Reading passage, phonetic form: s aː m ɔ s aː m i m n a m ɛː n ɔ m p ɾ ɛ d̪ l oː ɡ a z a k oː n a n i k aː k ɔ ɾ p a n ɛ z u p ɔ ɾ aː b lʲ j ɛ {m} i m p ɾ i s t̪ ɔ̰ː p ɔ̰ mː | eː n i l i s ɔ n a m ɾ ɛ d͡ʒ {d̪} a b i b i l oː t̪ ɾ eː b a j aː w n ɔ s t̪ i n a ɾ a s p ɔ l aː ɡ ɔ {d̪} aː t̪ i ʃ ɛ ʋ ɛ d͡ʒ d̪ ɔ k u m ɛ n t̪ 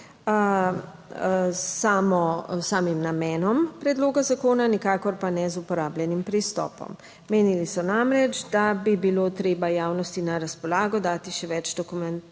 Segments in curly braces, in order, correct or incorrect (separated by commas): incorrect, correct, correct